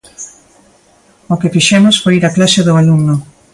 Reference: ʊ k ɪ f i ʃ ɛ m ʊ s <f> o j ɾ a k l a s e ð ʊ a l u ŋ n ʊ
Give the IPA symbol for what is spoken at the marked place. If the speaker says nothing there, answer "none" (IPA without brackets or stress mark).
f